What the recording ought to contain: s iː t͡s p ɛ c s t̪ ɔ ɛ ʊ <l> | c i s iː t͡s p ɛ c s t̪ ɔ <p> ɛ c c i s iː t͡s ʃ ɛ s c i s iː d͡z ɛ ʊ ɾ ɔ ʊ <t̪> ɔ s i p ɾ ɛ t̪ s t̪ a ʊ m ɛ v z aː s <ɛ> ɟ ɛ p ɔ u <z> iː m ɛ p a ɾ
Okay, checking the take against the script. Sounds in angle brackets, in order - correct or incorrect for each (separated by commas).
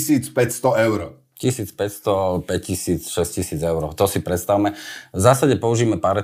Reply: incorrect, correct, correct, incorrect, incorrect